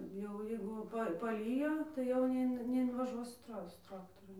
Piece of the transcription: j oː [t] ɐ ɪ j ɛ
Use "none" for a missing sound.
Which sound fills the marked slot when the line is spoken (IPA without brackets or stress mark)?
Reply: t